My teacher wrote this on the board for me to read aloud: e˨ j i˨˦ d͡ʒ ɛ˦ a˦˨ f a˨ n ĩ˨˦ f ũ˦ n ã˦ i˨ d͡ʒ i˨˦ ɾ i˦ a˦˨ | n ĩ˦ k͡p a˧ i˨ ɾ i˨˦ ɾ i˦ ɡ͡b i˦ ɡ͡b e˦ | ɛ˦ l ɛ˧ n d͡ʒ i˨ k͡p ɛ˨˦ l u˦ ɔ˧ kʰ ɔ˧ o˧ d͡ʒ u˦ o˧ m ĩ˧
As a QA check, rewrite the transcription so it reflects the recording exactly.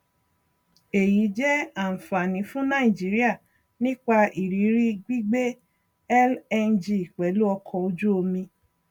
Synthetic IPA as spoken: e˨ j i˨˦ d͡ʒ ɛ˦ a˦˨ f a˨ n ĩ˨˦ f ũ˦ n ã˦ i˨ d͡ʒ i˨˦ ɾ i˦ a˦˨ | n ĩ˦ k͡p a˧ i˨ ɾ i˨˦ ɾ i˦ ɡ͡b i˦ ɡ͡b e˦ | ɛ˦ l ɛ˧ n d͡ʒ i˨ k͡p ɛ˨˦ l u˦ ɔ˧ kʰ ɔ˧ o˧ d͡ʒ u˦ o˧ m ĩ˧